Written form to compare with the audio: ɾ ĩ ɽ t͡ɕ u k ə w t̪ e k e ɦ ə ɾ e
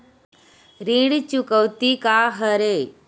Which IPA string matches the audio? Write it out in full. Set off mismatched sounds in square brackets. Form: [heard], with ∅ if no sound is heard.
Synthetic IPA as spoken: ɾ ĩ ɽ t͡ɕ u k ə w t̪ [i] k [a] ɦ ə ɾ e